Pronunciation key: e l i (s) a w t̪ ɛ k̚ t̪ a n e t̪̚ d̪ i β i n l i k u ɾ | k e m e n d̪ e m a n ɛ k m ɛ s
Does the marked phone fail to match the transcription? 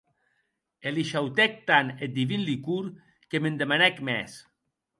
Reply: yes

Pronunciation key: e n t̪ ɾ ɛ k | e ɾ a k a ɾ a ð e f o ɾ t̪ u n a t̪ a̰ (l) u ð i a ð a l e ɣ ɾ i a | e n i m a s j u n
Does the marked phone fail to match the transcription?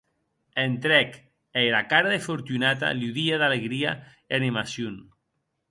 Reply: no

